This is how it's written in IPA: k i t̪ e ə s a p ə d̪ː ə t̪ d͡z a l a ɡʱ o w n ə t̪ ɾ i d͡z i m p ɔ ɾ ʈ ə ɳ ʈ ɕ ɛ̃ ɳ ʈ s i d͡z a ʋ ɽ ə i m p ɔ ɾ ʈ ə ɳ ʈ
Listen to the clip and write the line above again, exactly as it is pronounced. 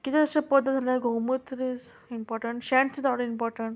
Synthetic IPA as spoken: k i t̪ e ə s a p ə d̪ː ə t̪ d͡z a l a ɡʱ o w m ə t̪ ɾ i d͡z i m p ɔ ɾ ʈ ə ɳ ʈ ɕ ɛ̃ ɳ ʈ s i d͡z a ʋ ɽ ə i m p ɔ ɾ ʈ ə ɳ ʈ